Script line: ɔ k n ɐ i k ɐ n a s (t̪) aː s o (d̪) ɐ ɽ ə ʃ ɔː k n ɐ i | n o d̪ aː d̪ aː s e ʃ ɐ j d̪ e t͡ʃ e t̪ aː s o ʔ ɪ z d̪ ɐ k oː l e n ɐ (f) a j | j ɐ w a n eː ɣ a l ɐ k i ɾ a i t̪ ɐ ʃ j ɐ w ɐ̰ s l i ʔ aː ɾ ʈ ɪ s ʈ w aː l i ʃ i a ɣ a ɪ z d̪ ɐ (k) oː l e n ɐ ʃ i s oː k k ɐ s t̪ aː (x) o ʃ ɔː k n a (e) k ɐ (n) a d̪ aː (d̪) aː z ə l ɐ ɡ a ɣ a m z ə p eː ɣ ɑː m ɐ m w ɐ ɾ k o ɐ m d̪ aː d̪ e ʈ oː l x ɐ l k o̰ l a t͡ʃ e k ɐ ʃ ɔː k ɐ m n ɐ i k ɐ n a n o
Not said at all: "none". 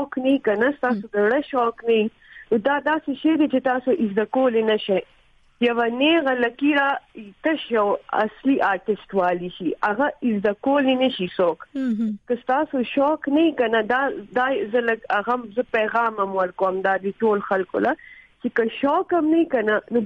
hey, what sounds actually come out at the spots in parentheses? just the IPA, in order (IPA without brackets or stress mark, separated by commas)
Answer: t̪, d̪, ʃ, k, s, i, n, d̪